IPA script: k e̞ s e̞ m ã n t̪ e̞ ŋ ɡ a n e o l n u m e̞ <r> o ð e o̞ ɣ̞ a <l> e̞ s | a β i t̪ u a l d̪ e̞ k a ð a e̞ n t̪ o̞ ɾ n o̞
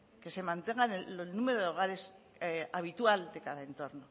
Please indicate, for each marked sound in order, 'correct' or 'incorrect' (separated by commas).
incorrect, incorrect